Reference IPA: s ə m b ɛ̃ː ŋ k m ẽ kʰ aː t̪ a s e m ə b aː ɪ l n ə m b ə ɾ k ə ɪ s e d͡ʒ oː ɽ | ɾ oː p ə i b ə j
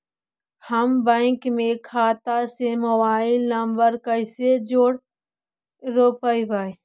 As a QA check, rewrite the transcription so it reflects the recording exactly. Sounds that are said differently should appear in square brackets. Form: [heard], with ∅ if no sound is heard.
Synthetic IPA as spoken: [h] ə m b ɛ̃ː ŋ k m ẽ kʰ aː t̪ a s e m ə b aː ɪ l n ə m b ə ɾ k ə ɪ s e d͡ʒ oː ɽ | ɾ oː p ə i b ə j